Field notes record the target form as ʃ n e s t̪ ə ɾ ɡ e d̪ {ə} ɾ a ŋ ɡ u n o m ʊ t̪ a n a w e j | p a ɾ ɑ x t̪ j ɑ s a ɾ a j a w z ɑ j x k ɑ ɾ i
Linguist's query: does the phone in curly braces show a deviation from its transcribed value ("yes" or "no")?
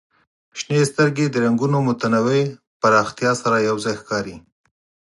no